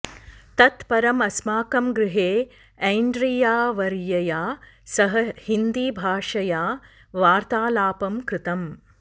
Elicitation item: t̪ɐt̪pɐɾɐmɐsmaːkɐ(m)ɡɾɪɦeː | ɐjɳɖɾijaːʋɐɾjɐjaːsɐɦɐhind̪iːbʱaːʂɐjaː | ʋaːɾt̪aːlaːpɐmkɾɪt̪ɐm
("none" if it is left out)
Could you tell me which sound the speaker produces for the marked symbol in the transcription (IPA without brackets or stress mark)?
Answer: m